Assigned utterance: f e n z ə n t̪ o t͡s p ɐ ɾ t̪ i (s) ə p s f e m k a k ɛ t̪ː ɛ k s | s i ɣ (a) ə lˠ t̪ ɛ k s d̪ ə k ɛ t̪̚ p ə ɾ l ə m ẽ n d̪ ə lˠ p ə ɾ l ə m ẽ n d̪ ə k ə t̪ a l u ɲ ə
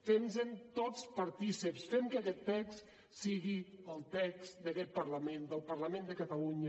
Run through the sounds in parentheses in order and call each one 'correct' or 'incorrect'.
correct, incorrect

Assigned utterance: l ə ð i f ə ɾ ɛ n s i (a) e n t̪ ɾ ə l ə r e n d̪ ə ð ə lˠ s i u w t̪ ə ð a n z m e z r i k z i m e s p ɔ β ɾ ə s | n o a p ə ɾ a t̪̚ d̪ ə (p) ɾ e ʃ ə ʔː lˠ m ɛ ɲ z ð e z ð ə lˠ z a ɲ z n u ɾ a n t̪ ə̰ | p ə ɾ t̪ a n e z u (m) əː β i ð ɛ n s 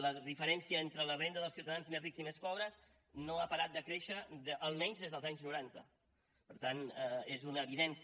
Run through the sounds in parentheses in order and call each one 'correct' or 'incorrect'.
incorrect, incorrect, incorrect

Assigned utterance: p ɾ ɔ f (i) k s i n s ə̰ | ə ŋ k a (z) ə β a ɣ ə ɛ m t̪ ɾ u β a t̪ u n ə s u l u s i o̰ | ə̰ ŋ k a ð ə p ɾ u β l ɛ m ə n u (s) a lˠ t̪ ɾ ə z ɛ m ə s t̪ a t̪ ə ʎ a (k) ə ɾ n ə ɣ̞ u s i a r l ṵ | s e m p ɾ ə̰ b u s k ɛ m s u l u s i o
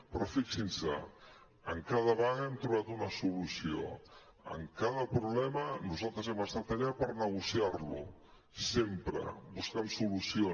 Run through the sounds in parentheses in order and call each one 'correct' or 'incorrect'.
correct, incorrect, incorrect, incorrect

